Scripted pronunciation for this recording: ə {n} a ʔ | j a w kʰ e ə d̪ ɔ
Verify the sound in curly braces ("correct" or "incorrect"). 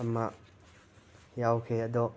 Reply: incorrect